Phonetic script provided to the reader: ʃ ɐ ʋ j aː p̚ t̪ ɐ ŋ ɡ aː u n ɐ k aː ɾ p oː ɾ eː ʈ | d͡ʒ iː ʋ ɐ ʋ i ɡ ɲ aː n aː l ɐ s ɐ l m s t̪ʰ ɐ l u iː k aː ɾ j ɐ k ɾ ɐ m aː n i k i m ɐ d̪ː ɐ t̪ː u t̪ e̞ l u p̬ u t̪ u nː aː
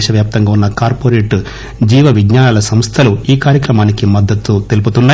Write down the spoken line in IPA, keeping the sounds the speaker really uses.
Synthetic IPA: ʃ ɐ ʋ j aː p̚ t̪ ɐ ŋ ɡ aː u nː ɐ k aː ɾ p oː ɾ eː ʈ | d͡ʒ iː ʋ ɐ ʋ i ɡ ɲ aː n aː l ɐ s ɐ m s t̪ʰ ɐ l u iː k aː ɾ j ɐ k ɾ ɐ m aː n i k i m ɐ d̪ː ɐ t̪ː u t̪ e̞ l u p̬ u t̪ u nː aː

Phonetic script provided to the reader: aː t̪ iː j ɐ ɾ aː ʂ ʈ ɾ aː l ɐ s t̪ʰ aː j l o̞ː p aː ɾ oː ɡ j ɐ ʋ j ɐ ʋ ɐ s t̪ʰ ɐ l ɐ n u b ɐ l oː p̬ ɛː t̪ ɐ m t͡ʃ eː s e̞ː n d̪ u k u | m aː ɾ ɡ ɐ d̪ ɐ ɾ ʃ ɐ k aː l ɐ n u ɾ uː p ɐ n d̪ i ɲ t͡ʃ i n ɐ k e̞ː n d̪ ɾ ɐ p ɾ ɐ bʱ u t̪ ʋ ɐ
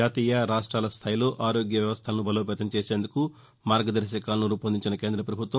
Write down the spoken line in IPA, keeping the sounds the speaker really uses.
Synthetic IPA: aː t̪ iː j ɐ ɾ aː ʂ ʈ ɾ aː l ɐ s t̪ʰ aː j l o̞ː ʔ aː ɾ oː ɡ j ɐ ʋ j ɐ ʋ ɐ s t̪ʰ ɐ l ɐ n u b ɐ l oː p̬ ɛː t̪ ɐ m t͡ʃ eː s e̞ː n d̪ u k u | m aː ɾ ɡ ɐ d̪ ɐ ɾ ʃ ɐ k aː l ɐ n u ɾ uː p ɐ n d̪ i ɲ t͡ʃ i n ɐ k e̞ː n d̪ ɾ ɐ p ɾ ɐ bʱ u t̪ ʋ ɐ

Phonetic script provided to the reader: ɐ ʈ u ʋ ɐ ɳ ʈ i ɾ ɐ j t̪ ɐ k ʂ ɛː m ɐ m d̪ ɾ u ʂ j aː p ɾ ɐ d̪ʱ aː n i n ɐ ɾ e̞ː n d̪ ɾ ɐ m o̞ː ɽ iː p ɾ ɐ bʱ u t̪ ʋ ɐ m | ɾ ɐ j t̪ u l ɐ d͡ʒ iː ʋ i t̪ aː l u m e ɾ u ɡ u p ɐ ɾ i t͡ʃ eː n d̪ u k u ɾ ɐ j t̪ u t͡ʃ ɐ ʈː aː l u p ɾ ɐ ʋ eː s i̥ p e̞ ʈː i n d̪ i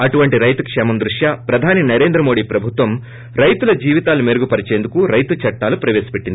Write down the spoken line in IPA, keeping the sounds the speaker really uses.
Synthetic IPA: ɐ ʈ u ʋ ɐ ɳ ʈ i ɾ ɐ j t̪ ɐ k ʂ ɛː m ɐ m d̪ ɾ u ʂ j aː p ɾ ɐ d̪ʱ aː n i n ɐ ɾ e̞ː n d̪ ɾ ɐ m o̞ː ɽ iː p ɾ ɐ bʱ u t̪ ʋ ɐ m | ɾ ɐ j t̪ u l ɐ d͡ʒ iː ʋ i t̪ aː l u m e ɾ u ɡ u p ɐ ɾ i t͡ʃ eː n d̪ u k u ɾ ɐ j t̪ u t͡ʃ ɐ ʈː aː l u p ɾ ɐ ʋ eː s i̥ p e̞ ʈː i n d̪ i

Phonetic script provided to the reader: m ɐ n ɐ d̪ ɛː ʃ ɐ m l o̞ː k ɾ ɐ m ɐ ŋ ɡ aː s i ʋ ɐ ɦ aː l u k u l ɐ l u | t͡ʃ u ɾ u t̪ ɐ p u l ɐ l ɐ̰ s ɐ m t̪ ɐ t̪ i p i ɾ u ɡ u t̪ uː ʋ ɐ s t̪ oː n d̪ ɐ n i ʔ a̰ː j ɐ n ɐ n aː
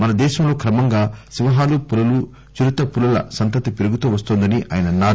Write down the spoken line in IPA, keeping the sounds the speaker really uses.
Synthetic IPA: m ɐ n ɐ d̪ ɛː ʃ ɐ m l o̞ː k ɾ ɐ m ɐ ŋ ɡ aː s i ʋ ɐ ɦ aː l u p u l ɐ l u | t͡ʃ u ɾ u t̪ ɐ p u l ɐ l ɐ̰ s ɐ n t̪ ɐ t̪ i p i ɾ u ɡ u t̪ uː ʋ ɐ s t̪ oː n d̪ ɐ n i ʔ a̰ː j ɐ n ɐ n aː

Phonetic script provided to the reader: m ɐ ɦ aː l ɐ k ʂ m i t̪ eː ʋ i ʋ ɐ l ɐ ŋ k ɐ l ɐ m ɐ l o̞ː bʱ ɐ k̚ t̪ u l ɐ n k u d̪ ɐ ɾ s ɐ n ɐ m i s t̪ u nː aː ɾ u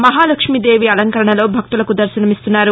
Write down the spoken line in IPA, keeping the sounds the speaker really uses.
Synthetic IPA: m ɐ ɦ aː l ɐ k ʂ m i d̪ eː ʋ i ɐ l ɐ ŋ k ɐ ɾ ɐ ɳ ɐ l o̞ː bʱ ɐ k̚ t̪ u l ɐ k u d̪ ɐ ɾ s ɐ n ɐ m i s t̪ u nː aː ɾ u

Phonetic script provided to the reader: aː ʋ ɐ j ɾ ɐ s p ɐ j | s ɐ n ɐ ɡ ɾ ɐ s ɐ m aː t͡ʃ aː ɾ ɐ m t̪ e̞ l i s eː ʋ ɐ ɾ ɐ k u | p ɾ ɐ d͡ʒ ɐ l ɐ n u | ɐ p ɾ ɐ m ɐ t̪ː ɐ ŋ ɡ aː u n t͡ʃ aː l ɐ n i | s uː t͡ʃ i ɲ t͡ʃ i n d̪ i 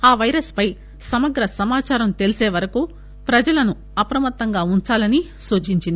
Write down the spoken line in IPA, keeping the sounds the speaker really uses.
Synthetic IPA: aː ʋ ɐ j ɾ ɐ s p ɐ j | s ɐ m ɐ ɡ ɾ ɐ s ɐ m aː t͡ʃ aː ɾ ɐ m t̪ e̞ l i s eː ʋ ɐ ɾ ɐ k u | p ɾ ɐ d͡ʒ ɐ l ɐ n u | ɐ p ɾ ɐ m ɐ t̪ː ɐ ŋ ɡ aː u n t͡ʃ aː l ɐ n i | s uː t͡ʃ i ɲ t͡ʃ i n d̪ i

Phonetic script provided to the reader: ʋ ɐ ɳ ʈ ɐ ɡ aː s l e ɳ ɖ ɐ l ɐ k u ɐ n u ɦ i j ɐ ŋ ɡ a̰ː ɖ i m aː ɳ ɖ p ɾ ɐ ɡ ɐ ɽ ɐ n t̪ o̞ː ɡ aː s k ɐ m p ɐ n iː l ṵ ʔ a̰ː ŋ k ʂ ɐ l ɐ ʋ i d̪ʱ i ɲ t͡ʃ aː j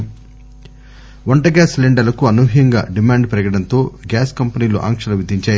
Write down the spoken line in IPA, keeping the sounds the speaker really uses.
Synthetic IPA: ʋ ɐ ɳ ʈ ɐ ɡ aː s l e ɳ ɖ ɐ l ɐ k u ɐ n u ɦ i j ɐ ŋ ɡ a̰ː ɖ i m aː ɳ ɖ p ɾ ɐ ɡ ɐ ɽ ɐ n t̪ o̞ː ɡ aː s k ɐ m p ɐ n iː l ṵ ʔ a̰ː ŋ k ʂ ɐ l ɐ ʋ i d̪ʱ i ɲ t͡ʃ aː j

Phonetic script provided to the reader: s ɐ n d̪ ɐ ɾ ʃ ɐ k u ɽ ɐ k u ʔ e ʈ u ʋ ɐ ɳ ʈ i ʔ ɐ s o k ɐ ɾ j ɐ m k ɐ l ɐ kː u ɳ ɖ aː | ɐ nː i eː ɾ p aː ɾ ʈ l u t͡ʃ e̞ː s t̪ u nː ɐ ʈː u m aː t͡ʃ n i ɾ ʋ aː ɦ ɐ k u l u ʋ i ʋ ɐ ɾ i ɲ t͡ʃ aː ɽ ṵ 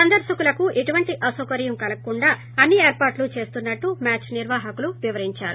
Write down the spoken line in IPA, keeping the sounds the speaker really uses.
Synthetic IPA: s ɐ n d̪ ɐ ɾ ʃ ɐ k u l ɐ k u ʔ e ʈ u ʋ ɐ ɳ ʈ i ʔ ɐ s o k ɐ ɾ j ɐ m k ɐ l ɐ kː u ɳ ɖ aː | ɐ nː i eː ɾ p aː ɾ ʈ l u t͡ʃ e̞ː s t̪ u nː ɐ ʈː u m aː t͡ʃ n i ɾ ʋ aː ɦ ɐ k u l u ʋ i ʋ ɐ ɾ i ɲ t͡ʃ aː ɾ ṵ

